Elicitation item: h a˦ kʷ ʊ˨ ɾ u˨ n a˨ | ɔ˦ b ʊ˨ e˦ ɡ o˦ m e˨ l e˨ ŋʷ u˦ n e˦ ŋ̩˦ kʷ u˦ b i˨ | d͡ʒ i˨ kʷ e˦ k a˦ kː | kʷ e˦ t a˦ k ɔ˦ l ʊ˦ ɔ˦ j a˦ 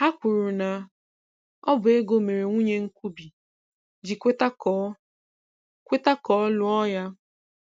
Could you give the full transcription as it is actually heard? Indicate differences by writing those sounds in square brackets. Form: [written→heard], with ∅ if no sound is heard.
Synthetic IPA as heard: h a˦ kʷ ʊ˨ ɾ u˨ n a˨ | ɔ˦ b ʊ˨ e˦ ɡ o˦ m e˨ [l→ɾ] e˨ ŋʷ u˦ [n→ɲ] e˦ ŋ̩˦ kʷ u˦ b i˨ | d͡ʒ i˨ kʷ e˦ [k→t] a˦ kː | kʷ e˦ t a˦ k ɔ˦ l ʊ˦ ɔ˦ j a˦